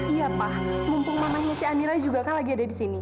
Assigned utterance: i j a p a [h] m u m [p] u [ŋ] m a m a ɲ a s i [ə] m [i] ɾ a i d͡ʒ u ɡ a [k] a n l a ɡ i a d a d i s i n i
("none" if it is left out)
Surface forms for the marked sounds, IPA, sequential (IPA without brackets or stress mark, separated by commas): h, p, ŋ, a, i, k